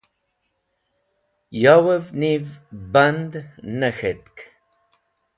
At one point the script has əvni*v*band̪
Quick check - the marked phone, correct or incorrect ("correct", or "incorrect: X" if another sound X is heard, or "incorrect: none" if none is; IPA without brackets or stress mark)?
correct